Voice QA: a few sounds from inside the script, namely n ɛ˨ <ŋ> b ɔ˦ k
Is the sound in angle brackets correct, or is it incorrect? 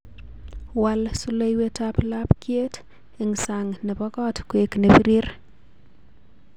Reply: incorrect: none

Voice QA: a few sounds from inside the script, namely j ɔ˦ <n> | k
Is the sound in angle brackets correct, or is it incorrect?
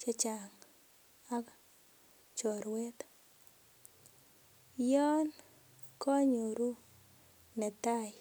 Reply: correct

